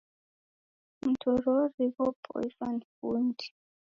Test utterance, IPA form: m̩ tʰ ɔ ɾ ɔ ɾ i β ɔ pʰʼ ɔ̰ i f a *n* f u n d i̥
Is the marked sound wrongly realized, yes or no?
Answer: no